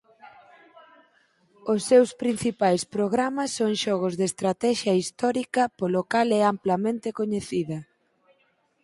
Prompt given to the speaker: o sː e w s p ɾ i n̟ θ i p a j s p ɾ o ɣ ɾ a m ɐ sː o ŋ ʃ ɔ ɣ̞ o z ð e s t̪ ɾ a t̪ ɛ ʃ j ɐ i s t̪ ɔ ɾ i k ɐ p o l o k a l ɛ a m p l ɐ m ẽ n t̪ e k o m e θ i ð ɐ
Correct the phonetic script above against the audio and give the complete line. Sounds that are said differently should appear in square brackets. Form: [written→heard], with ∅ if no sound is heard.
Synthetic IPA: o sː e w s p ɾ i n̟ θ i p a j s p ɾ o ɣ ɾ a m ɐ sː o ŋ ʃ ɔ ɣ̞ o z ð e s t̪ ɾ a t̪ ɛ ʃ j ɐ i s t̪ ɔ ɾ i k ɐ p o l o k a l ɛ a m p l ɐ m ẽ n t̪ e k o [m→ɲ] e θ i ð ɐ